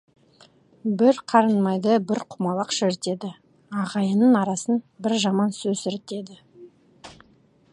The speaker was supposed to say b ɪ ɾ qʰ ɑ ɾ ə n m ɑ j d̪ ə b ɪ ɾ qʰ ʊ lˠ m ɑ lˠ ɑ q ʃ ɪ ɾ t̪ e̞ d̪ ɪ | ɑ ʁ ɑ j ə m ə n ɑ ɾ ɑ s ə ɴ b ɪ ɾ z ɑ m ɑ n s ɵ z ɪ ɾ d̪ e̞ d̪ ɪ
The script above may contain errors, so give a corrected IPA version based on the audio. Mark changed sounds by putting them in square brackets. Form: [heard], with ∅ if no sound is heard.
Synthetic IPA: b ɪ ɾ qʰ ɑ ɾ ə n m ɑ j d̪ ə b ɪ ɾ qʰ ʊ [∅] m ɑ lˠ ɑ q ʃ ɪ ɾ t̪ e̞ d̪ ɪ | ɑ ʁ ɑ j ə [n] ə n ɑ ɾ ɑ s ə [n] b ɪ ɾ [ʒ] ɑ m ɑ n s ɵ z ɪ ɾ [t̪] e̞ d̪ ɪ